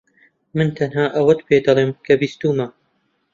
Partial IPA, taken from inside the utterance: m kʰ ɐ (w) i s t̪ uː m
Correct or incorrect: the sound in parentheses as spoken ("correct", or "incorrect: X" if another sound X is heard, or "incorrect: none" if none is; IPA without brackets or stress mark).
incorrect: b